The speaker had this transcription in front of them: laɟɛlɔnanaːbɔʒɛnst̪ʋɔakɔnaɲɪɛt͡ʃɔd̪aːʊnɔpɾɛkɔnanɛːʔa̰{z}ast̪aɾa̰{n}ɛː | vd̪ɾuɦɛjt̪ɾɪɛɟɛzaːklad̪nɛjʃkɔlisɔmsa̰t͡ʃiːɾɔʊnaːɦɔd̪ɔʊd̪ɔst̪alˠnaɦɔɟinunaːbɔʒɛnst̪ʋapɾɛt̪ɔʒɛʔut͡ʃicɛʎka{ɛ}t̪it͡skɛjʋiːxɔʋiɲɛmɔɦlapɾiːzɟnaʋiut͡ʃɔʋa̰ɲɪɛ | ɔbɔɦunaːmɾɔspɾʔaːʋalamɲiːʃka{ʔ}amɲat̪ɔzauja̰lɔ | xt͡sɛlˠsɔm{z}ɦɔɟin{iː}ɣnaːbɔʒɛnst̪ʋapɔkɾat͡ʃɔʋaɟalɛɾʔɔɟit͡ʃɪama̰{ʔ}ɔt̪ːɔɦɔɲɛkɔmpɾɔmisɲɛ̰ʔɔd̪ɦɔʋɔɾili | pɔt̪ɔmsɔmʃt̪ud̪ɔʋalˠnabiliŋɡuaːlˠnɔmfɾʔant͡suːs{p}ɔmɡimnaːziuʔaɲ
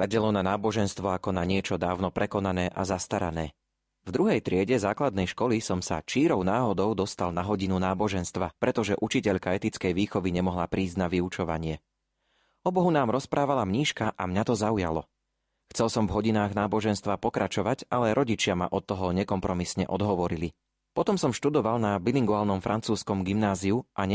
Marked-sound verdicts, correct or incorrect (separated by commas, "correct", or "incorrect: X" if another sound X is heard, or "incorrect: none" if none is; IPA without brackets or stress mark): correct, correct, correct, correct, incorrect: v, incorrect: aː, correct, incorrect: k